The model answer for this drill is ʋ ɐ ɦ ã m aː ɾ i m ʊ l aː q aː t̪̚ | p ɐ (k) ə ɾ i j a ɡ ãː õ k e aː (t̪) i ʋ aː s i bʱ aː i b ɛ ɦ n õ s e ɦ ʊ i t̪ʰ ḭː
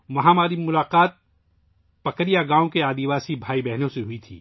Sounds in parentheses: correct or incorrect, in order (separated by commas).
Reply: correct, incorrect